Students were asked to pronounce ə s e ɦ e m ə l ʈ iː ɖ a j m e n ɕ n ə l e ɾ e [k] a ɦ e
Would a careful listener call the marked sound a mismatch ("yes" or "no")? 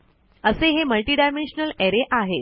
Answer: yes